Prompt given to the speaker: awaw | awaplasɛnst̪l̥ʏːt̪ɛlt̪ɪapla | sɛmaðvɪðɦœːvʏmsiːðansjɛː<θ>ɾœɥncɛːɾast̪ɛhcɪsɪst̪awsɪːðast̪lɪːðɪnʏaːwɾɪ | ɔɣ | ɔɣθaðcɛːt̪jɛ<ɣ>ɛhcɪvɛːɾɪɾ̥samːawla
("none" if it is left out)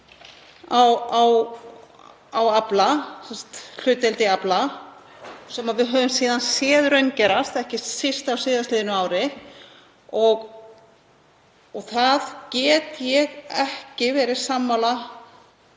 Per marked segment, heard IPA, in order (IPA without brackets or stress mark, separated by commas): ð, ɣ